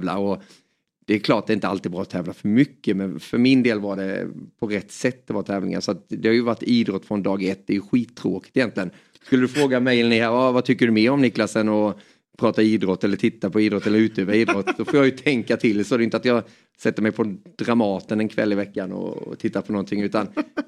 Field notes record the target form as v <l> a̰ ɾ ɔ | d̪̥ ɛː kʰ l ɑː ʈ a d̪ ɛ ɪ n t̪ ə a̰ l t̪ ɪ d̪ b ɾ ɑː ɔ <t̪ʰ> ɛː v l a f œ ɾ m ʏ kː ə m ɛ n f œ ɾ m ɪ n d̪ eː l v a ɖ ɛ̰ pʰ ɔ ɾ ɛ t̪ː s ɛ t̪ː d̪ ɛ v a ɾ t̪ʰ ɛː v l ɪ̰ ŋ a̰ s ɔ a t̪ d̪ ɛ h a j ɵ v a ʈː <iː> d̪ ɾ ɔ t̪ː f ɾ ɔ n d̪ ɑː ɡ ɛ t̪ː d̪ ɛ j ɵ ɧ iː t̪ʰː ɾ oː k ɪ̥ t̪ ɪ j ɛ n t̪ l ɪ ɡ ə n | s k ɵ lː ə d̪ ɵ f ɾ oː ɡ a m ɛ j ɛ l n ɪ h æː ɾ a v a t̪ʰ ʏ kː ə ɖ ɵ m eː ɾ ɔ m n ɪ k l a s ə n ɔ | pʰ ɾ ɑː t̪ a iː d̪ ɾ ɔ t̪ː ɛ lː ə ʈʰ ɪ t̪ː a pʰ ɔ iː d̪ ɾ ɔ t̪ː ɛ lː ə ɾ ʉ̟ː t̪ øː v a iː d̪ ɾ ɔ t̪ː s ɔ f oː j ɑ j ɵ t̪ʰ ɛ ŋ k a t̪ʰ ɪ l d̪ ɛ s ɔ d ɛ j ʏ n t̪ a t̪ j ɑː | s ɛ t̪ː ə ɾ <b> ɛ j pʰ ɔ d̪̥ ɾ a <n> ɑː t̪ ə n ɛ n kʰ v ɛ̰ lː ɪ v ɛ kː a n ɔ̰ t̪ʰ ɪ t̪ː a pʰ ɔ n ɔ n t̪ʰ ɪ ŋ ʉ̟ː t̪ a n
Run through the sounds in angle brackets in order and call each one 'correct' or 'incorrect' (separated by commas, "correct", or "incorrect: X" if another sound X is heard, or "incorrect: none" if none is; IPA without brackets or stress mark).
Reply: correct, correct, correct, incorrect: m, incorrect: m